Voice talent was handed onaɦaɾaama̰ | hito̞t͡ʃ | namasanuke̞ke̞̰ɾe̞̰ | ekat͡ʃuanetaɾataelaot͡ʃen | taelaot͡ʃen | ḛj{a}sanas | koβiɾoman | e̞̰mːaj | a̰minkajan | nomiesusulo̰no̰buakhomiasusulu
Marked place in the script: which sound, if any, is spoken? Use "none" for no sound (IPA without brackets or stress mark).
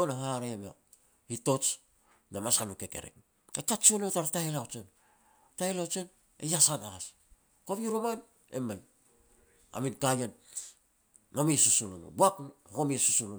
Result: a